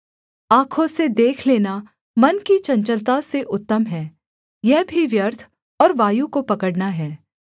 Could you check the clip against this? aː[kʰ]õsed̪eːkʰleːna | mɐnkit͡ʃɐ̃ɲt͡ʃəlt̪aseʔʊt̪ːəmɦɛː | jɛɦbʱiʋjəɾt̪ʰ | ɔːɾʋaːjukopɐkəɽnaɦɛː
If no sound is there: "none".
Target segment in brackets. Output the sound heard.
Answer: kʰ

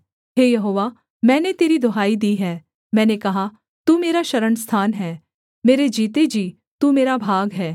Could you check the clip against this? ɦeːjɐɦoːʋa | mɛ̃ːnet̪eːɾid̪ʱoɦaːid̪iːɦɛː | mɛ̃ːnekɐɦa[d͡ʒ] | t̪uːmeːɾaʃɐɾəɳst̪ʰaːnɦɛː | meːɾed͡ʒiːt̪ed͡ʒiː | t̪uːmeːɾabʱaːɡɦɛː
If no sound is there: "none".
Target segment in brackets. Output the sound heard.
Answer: none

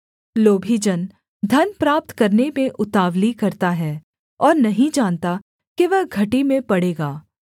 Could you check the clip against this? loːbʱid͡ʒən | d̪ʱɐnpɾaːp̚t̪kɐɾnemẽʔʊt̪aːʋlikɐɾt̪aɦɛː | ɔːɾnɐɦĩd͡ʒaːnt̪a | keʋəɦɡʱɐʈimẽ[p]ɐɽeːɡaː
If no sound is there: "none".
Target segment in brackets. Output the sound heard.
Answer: p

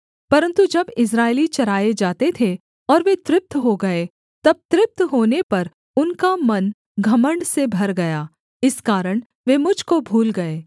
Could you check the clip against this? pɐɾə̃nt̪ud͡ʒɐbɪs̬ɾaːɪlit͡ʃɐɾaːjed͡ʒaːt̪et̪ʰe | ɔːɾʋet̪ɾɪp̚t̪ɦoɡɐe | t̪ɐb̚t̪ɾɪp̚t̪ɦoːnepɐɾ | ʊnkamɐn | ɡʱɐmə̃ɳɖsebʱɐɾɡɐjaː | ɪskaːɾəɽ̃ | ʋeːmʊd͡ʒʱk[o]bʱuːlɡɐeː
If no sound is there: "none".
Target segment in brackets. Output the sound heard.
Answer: o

